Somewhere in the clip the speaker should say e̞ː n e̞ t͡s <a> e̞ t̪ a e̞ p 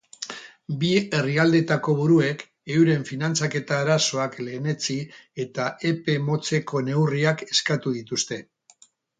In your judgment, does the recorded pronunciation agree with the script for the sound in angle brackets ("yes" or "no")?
no